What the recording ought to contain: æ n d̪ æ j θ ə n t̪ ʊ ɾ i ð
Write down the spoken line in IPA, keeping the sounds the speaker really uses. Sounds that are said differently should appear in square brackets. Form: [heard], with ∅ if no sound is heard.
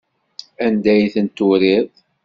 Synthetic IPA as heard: æ n d̪ æ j θ ə n t̪ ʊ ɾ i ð